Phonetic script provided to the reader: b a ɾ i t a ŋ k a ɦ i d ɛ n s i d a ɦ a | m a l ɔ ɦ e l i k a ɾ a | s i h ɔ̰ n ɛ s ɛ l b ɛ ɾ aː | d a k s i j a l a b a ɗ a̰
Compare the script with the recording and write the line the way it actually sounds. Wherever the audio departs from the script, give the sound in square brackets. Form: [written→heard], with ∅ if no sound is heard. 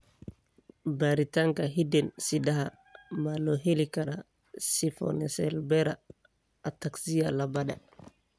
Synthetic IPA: b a ɾ i t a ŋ k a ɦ i d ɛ n s i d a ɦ a | m a l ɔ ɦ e l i k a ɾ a | s i [h→f] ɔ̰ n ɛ s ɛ l b ɛ ɾ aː | [d→t] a k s i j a l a b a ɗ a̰